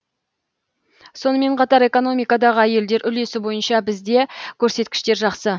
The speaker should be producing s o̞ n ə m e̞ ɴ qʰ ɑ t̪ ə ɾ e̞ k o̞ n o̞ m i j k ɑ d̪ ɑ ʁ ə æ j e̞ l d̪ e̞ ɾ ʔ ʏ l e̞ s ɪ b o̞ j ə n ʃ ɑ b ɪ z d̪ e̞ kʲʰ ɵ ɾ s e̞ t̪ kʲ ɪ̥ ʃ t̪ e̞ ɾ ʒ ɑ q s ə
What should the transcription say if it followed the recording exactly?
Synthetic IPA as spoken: s o̞ n ə m e̞ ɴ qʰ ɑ t̪ ɑ ɾ e̞ k o̞ n o̞ m i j k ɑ d̪ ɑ ʁ ə æ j e̞ l d̪ e̞ ɾ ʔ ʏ l e̞ s ɪ b o̞ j ə n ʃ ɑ b ɪ z d̪ e̞ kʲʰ ɵ ɾ s e̞ t̪ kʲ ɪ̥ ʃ t̪ e̞ ɾ ʒ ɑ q s ə